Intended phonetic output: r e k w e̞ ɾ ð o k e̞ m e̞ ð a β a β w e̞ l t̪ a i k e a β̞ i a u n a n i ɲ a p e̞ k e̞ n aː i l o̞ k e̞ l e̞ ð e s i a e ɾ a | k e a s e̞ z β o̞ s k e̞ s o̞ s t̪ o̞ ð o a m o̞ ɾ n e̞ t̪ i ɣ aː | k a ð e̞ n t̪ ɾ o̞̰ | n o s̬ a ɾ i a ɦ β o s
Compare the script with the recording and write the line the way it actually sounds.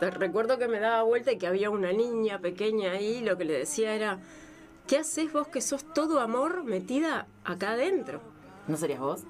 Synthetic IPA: r e k w e̞ ɾ ð o k e̞ m e̞ ð a β a β w e̞ l t̪ a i k e a β̞ i a u n a n i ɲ a p e̞ k e̞ ɲ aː i l o̞ k e̞ l e̞ ð e s i a e ɾ a | k e a s e̞ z β o̞ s k e̞ s o̞ s t̪ o̞ ð o a m o̞ ɾ m e̞ t̪ i ð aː | k a ð e̞ n t̪ ɾ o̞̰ | n o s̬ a ɾ i a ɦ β o s